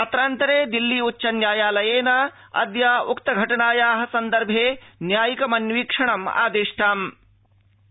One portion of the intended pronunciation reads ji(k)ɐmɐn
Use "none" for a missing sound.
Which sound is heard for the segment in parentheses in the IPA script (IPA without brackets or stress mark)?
k